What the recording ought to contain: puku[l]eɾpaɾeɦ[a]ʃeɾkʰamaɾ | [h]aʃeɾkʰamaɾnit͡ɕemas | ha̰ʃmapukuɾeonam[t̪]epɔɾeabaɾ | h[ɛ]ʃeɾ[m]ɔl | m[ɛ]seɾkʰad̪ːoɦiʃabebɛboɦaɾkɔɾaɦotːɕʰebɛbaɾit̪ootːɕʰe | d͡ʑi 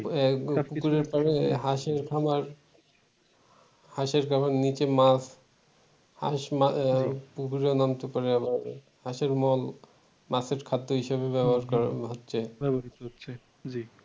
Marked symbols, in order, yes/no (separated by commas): no, yes, yes, yes, no, yes, no